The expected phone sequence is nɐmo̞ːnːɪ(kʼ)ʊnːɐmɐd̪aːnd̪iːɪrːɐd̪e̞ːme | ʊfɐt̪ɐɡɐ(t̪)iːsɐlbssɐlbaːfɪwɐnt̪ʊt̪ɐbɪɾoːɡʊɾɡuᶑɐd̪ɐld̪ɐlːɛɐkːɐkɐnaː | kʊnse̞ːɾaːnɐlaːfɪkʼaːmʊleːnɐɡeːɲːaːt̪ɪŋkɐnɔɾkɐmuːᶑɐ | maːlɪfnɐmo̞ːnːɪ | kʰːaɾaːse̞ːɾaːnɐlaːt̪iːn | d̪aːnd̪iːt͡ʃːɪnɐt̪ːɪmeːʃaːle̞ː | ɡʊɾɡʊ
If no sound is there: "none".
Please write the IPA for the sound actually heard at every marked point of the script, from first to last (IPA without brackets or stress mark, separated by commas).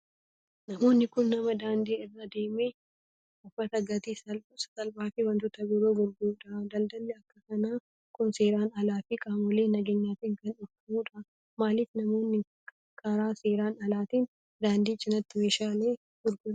k, t̪